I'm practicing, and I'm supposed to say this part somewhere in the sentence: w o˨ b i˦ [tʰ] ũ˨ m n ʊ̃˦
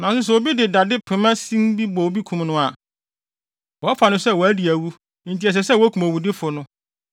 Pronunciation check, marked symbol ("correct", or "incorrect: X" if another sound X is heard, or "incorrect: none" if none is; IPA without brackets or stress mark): incorrect: kʰ